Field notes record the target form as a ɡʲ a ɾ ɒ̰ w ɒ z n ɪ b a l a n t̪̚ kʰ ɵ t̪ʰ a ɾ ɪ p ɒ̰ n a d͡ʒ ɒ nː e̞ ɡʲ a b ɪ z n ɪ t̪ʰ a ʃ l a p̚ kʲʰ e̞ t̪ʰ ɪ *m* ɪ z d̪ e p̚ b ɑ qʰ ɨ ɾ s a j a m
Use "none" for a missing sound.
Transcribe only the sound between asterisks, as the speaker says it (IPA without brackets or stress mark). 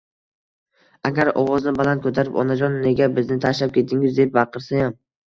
ŋ